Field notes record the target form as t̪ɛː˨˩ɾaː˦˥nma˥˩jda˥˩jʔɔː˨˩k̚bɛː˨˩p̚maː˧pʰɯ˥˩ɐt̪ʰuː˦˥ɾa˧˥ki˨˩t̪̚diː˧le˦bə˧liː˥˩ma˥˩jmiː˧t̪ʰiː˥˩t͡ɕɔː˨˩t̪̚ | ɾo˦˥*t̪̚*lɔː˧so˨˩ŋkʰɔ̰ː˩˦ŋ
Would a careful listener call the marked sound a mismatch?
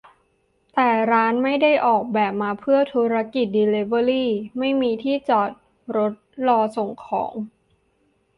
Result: no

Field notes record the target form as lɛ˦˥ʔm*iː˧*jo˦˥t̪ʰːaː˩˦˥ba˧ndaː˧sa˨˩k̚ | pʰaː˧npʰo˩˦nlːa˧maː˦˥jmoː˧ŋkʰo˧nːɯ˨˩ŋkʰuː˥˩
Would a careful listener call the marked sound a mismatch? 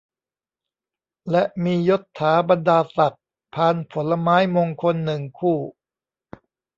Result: no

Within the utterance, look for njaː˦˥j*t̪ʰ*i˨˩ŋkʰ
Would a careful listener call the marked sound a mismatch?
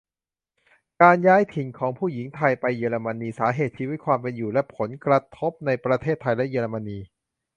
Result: no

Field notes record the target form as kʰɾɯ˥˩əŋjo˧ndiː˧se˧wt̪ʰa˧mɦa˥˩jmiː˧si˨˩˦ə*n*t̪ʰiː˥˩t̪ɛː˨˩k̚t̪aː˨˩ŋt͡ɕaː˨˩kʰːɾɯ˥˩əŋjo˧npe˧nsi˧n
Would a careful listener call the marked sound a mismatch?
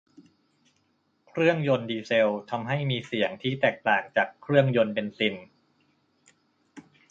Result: yes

